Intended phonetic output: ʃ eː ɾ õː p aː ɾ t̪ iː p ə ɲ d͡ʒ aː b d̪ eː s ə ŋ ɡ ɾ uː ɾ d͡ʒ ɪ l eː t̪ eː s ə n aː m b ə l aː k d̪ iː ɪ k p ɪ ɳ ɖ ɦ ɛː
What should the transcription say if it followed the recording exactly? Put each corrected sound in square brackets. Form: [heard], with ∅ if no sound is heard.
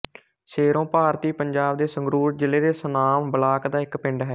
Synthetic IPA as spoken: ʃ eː ɾ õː p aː ɾ t̪ iː p ə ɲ d͡ʒ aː b d̪ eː s ə ŋ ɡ ɾ uː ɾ d͡ʒ ɪ l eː [d̪] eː s ə n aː m b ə l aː k d̪ [aː] ɪ k p ɪ ɳ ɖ ɦ ɛː